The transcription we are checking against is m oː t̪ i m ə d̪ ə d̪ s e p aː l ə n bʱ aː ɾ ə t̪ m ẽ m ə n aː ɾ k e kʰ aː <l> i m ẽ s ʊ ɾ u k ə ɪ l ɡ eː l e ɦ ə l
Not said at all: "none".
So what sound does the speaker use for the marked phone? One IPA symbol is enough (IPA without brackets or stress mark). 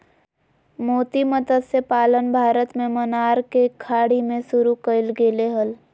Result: ɽ